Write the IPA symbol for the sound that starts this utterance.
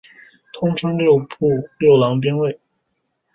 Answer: t̪ʰ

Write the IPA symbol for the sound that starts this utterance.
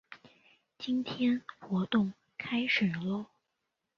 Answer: t͡ɕ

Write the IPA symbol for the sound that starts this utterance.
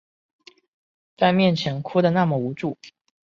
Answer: t͡s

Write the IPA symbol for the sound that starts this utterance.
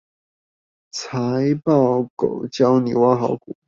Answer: t͡sʰ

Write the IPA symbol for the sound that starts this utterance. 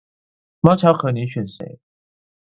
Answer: m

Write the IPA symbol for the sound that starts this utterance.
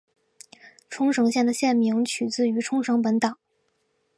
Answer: ʈ͡ʂʰ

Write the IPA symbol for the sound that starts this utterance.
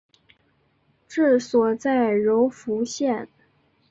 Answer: ʈ͡ʂ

